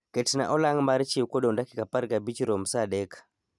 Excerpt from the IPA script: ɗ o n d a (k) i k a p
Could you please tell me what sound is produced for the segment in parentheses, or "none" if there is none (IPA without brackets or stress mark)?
k